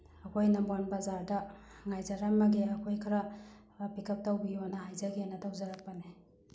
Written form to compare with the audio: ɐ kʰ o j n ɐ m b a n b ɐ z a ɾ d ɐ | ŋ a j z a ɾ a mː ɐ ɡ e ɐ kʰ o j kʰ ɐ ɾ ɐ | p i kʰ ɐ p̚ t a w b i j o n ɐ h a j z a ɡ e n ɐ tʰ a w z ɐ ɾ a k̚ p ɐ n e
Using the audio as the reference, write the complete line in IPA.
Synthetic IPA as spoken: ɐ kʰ o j n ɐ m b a n b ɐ z a ɾ d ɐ | ŋ a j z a ɾ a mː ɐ ɡ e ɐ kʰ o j kʰ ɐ ɾ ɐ | p i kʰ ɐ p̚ t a w b i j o n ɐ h a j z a ɡ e n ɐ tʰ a w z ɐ ɾ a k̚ p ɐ n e